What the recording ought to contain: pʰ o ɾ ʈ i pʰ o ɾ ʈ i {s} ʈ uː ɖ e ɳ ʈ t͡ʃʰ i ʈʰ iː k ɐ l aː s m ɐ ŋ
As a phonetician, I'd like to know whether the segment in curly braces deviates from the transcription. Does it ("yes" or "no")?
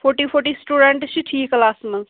no